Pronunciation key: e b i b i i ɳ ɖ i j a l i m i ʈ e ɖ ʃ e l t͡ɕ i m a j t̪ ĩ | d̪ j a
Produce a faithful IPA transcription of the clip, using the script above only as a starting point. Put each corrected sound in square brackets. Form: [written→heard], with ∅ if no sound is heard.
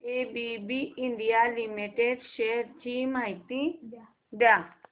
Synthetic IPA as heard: e b i b i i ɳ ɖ i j a l i m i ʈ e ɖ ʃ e [l→ɾ] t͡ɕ i m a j t̪ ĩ | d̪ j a